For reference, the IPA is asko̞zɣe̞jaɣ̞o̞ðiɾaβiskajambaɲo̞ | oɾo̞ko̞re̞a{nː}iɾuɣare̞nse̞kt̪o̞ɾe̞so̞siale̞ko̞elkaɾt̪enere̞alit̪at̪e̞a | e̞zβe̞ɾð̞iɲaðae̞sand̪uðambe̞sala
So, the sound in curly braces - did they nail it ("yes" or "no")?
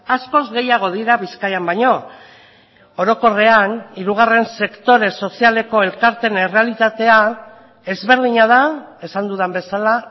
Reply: no